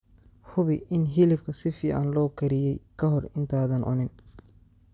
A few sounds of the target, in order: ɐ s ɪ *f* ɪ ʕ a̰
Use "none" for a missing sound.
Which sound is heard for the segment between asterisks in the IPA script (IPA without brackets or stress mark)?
f